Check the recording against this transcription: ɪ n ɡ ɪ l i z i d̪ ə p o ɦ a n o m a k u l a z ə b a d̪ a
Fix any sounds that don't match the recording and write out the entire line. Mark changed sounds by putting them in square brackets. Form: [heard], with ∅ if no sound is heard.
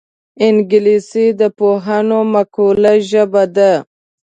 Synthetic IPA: ɪ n ɡ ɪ l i [s] i d̪ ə p o ɦ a n o m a k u l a [ʒ] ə b a d̪ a